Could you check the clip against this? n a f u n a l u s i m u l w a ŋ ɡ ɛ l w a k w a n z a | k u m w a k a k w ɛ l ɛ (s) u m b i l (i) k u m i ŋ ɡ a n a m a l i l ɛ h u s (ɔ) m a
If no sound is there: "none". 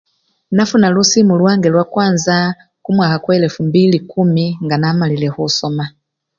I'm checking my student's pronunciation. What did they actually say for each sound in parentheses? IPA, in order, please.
f, i, ɔ

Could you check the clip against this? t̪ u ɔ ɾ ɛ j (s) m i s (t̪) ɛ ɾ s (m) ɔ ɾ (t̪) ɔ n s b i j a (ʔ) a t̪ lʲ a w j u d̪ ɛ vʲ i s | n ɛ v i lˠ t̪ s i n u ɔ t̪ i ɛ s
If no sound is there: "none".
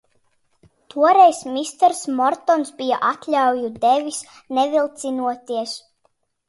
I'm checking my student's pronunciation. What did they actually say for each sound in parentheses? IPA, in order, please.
s, t̪, m, t̪, ʔ

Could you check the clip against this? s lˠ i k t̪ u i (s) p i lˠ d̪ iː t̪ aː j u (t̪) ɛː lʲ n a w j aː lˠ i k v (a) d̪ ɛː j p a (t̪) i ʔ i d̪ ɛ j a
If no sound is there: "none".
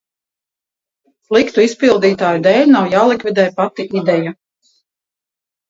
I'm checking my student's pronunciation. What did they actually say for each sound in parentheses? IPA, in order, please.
s, d̪, i, t̪

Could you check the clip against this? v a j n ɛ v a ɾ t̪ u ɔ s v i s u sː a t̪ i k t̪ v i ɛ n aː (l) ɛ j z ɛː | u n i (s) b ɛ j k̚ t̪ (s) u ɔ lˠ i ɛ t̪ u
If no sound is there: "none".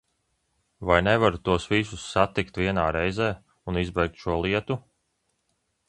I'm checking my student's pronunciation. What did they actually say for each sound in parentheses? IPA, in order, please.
ɾ, z, ʃ

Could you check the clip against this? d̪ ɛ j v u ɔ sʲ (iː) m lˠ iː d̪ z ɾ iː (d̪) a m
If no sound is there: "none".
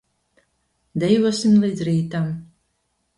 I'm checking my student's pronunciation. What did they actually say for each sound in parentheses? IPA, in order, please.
i, t̪

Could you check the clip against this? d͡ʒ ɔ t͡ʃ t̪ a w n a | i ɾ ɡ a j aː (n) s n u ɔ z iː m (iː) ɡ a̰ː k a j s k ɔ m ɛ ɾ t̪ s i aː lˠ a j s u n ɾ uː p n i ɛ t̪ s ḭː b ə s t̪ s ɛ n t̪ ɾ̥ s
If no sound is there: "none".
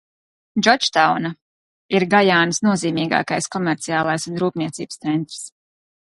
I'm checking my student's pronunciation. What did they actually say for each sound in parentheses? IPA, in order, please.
n, iː

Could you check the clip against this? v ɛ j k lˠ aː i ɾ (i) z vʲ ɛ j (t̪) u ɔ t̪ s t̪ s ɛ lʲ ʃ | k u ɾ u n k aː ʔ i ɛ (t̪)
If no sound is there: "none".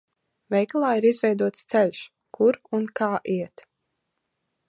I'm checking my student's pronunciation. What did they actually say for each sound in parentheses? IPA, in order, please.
i, d̪, t̪

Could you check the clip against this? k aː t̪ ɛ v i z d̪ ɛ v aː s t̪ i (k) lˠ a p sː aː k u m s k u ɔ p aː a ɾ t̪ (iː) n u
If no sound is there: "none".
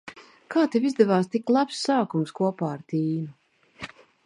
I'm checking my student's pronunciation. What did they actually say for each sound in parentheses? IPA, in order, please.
k, iː

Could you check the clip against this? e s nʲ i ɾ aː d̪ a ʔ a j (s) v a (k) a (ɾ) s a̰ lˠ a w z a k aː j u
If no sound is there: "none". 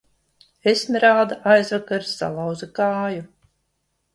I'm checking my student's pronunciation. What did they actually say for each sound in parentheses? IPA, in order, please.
z, k, ɾ

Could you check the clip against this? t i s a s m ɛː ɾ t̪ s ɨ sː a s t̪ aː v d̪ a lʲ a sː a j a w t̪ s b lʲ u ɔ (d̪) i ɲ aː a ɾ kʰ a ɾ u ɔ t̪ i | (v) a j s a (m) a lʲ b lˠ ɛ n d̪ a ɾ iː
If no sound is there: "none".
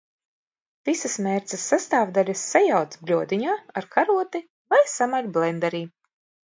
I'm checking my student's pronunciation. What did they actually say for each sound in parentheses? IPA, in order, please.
d̪, v, m

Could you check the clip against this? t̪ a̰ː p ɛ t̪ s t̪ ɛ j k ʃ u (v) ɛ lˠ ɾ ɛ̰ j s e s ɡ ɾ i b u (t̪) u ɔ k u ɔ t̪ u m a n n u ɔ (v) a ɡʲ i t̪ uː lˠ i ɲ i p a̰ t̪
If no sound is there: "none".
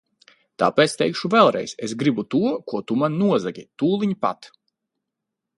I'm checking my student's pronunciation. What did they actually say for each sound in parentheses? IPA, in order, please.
v, t̪, z

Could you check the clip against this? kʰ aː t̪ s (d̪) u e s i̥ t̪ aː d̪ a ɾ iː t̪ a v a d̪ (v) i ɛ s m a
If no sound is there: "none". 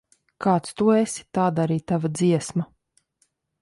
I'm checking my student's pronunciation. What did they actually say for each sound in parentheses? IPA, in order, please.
t̪, z

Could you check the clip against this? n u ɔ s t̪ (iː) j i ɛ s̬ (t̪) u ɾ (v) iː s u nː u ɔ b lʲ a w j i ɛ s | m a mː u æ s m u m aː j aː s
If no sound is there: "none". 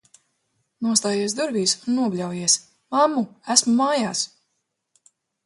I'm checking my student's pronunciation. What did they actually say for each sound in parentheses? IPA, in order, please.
aː, d̪, v

